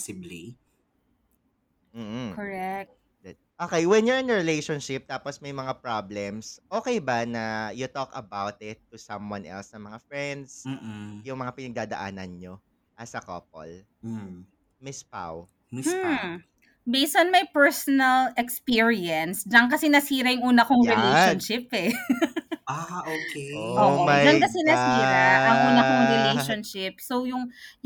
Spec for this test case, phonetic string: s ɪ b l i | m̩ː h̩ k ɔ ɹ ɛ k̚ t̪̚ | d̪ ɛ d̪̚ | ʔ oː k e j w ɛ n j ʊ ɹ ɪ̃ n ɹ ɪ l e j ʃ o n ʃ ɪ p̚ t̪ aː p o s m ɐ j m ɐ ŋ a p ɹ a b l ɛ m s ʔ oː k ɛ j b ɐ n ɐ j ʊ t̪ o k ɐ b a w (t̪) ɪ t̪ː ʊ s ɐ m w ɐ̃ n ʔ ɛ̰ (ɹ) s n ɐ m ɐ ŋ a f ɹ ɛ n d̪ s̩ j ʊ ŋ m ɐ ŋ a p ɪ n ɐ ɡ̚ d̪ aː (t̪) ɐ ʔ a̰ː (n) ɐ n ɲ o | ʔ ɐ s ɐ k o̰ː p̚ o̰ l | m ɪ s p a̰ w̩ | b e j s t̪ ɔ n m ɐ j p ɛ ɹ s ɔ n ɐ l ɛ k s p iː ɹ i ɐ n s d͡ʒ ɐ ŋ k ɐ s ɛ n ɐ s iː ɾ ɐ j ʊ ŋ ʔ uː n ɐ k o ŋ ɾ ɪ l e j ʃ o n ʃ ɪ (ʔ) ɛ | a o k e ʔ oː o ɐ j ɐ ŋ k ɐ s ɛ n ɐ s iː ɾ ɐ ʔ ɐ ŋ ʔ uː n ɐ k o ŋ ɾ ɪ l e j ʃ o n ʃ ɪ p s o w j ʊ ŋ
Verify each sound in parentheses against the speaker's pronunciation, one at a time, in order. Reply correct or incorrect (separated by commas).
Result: correct, incorrect, incorrect, correct, incorrect